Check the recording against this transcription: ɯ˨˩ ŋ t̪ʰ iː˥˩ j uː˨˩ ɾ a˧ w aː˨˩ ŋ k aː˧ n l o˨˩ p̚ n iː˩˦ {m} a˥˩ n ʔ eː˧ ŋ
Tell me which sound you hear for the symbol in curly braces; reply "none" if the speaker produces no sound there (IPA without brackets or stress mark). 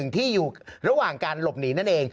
n